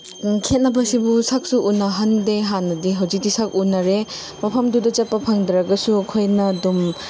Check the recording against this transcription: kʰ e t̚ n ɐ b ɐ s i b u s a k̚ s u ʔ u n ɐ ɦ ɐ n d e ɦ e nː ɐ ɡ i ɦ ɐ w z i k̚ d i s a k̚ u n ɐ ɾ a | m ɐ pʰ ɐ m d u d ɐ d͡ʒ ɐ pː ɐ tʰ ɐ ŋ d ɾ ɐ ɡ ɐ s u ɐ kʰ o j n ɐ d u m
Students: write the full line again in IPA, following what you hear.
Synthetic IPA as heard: kʰ e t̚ n ɐ b ɐ s i b u s a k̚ s u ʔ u n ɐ ɦ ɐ n d e ɦ a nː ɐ d i ɦ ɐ w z i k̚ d i s a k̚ u n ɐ ɾ e | m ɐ pʰ ɐ m d u d ɐ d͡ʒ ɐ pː ɐ pʰ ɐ ŋ d ɾ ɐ ɡ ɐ s u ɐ kʰ o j n ɐ d u m